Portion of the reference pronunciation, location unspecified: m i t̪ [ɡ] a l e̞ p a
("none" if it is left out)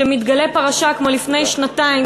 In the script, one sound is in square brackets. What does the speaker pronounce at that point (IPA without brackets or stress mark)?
ɡ